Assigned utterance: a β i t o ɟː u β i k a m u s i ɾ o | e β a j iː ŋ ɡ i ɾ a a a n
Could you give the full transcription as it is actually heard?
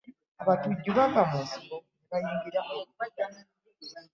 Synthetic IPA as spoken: a β a t u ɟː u β a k a m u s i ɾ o | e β a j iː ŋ ɡ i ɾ a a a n